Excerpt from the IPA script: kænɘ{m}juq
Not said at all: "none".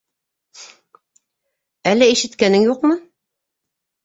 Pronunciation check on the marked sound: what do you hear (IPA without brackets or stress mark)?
ŋ